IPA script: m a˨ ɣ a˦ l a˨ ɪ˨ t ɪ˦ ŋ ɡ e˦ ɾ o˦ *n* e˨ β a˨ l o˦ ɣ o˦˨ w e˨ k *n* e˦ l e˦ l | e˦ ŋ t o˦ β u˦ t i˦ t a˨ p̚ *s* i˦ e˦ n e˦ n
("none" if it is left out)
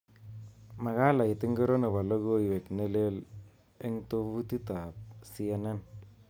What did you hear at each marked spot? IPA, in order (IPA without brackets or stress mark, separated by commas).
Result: n, n, s